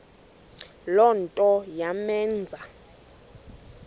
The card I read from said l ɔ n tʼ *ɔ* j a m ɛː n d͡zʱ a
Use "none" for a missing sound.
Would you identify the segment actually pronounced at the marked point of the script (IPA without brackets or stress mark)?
ɔ